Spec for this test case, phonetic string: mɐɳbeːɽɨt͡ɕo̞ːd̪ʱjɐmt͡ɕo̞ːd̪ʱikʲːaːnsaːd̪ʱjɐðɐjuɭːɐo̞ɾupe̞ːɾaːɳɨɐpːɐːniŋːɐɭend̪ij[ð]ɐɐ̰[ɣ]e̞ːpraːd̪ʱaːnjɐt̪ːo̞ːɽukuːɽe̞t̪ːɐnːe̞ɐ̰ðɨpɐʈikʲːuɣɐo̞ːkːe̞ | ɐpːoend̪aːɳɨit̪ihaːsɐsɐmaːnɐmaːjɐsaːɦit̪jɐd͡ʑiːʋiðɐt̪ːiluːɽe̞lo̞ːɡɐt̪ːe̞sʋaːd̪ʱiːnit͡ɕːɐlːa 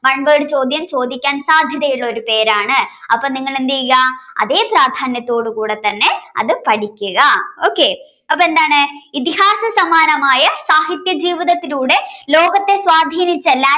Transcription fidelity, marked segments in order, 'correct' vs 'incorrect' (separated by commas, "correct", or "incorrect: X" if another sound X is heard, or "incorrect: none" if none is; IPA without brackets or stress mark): incorrect: ɣ, incorrect: ð